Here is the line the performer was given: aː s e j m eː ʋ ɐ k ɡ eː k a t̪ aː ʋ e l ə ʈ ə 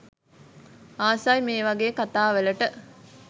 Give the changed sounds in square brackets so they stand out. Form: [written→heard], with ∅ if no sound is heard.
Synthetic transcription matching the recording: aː s [e→a] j m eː ʋ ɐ [k→∅] ɡ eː k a t̪ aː ʋ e l ə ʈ ə